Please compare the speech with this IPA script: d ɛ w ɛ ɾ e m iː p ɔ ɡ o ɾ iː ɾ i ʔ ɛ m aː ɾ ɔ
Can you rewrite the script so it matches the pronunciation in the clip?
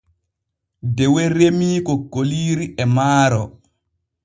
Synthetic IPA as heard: d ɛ w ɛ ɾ e m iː k ɔ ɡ o l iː ɾ i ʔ ɛ m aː ɾ ɔ